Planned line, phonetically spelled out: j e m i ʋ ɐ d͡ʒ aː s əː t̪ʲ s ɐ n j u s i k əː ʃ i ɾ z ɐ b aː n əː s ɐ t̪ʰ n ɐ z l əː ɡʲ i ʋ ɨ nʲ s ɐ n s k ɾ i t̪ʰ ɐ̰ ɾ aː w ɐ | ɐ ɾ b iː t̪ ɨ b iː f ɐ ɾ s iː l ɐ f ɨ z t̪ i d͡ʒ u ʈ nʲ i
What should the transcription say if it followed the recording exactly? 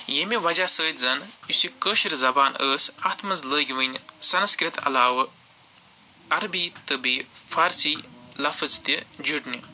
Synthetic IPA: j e m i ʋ ɐ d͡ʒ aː s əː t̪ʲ z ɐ n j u s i k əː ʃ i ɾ z ɐ b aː n əː s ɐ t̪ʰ m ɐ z l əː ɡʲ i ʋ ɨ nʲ s ɐ n s k ɾ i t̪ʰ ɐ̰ l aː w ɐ | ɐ ɾ b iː t̪ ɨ b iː f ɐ ɾ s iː l ɐ f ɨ z t̪ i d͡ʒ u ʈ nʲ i

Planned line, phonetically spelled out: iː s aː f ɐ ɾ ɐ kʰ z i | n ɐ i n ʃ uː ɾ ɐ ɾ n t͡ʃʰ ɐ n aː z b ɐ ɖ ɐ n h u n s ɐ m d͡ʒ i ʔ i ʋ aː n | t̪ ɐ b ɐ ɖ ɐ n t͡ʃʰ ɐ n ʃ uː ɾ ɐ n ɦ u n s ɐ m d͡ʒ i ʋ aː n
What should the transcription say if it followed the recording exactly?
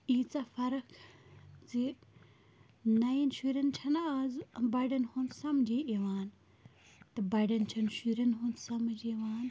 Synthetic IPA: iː t͡s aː f ɐ ɾ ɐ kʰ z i | n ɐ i n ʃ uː ɾ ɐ n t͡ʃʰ ɐ n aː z b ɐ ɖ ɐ n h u n s ɐ m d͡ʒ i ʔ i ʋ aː n | t̪ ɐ b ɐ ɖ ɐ n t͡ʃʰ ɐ n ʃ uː ɾ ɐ n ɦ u n s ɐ m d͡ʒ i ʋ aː n

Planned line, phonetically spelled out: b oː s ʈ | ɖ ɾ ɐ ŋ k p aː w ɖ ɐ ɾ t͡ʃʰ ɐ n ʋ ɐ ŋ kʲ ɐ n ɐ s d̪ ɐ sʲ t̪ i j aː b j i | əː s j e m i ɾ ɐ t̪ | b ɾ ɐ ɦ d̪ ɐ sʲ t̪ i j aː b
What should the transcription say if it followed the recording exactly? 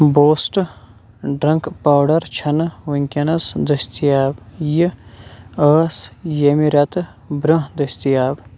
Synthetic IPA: b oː s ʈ | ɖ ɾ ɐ ŋ k p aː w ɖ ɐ ɾ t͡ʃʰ ɐ n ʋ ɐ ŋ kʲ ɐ n ɐ s d̪ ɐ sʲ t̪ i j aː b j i | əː s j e m i ɾ ɐ t̪ | b ɾ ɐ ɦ d̪ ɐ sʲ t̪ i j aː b

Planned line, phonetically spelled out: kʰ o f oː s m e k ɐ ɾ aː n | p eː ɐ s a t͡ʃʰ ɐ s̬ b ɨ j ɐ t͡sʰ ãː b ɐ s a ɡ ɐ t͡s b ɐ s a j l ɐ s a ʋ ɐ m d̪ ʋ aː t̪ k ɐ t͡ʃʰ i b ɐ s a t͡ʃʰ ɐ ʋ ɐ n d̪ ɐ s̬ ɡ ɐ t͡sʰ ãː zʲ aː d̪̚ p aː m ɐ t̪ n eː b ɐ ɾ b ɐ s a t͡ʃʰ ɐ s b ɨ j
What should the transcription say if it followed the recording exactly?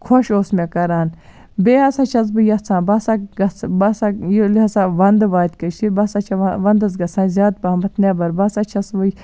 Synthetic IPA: kʰ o ʃ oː s m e k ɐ ɾ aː n | b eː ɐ s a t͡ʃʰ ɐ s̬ b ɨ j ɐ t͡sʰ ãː b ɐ s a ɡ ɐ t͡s b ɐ s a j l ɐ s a ʋ ɐ n d̪ ʋ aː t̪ k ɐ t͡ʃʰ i b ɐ s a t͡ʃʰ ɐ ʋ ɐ n d̪ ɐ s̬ ɡ ɐ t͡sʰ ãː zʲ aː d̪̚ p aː m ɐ t̪ n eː b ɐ ɾ b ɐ s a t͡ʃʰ ɐ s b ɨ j

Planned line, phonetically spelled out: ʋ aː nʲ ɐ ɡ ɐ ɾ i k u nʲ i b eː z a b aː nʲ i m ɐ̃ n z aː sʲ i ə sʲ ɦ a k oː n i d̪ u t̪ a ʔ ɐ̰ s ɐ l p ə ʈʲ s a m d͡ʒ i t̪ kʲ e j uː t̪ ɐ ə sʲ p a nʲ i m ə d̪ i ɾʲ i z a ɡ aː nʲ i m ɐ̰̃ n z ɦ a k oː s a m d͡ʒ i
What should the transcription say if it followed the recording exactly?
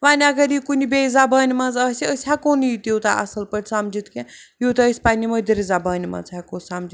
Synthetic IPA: ʋ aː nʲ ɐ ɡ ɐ ɾ i k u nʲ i b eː z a b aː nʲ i m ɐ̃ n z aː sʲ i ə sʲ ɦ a k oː n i t̪ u t̪ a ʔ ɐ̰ s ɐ l p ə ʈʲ s a m d͡ʒ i t̪ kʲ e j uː t̪ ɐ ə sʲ p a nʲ i m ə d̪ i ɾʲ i z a b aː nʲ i m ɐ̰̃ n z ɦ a k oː s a m d͡ʒ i

